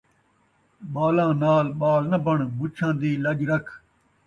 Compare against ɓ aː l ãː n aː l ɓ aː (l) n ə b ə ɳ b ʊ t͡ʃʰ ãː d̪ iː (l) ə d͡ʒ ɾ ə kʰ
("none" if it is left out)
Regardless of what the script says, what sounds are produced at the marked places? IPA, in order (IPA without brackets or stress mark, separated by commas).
l, l